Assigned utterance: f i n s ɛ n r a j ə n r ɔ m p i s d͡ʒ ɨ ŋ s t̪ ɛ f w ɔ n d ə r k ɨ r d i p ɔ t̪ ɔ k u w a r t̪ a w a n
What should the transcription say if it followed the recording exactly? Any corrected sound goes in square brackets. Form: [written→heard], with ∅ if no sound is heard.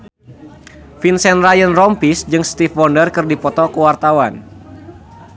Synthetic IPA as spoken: f i n s ɛ n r a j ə n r ɔ m p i s d͡ʒ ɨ ŋ s t̪ [ɛ→i] f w ɔ n d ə r k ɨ r d i p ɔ t̪ ɔ k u w a r t̪ a w a n